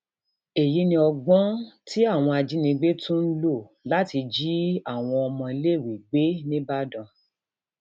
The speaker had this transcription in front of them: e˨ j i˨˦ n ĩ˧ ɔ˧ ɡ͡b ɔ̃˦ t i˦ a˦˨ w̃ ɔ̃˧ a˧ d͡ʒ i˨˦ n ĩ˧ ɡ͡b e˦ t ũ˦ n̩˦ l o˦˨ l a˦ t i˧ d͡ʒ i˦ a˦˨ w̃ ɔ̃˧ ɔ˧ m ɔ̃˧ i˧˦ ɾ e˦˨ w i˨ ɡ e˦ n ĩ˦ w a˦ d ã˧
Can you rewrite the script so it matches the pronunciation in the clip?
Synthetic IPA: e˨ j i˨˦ n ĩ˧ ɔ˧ ɡ͡b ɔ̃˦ t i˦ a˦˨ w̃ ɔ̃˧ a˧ d͡ʒ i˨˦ n ĩ˧ ɡ͡b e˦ t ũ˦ n̩˦ l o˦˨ l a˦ t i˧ d͡ʒ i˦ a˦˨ w̃ ɔ̃˧ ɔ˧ m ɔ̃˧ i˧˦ l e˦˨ w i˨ ɡ͡b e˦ n ĩ˦ b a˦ d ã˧